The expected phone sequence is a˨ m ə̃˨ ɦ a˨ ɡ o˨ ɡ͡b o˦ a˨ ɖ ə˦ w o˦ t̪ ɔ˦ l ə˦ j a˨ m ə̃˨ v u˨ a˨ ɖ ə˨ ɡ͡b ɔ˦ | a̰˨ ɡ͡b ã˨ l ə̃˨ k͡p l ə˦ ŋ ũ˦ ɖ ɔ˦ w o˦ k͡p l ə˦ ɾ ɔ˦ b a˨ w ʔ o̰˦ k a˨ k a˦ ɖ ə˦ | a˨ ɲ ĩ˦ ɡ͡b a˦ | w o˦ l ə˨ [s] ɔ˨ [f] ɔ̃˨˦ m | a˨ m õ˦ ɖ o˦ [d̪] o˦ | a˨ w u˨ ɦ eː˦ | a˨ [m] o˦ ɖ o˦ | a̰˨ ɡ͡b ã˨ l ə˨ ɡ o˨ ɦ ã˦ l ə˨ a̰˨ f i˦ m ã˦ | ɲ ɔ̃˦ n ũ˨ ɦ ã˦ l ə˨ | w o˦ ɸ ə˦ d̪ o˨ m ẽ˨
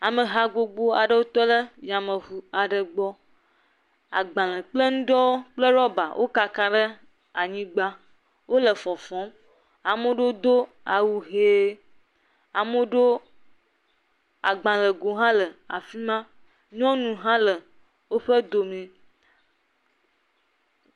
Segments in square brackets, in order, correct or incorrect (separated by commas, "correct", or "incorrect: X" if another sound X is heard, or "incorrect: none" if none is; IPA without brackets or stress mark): incorrect: f, correct, correct, correct